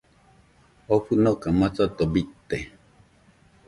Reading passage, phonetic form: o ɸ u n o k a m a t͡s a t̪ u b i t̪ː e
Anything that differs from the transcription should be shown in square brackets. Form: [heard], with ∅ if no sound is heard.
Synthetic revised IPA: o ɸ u n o k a m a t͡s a t̪ [o] b i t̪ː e